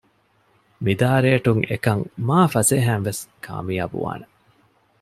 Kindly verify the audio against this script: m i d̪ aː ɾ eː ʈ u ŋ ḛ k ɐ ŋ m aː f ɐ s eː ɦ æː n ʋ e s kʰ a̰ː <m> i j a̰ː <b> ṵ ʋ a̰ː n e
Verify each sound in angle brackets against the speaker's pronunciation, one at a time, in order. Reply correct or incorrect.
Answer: correct, correct

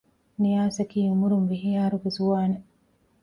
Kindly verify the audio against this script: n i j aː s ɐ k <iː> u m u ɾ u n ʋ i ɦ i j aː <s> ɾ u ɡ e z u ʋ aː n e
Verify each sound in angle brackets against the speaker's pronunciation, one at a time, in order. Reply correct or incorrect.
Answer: correct, incorrect: none

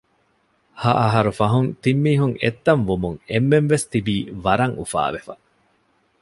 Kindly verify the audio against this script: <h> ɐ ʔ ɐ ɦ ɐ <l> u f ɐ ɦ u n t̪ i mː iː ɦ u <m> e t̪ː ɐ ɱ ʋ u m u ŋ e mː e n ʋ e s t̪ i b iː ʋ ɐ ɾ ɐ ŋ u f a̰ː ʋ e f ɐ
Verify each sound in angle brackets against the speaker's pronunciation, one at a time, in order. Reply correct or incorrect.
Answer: correct, incorrect: ɾ, incorrect: ŋ

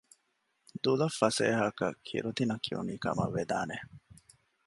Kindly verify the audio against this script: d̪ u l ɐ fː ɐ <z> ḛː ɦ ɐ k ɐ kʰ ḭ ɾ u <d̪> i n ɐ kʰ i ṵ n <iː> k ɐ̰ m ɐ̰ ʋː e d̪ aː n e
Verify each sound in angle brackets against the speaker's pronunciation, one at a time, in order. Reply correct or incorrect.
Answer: incorrect: s, incorrect: t̪, correct

